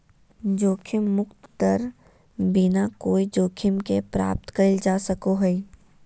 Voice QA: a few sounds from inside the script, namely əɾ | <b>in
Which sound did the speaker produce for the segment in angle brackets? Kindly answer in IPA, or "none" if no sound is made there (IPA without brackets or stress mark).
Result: b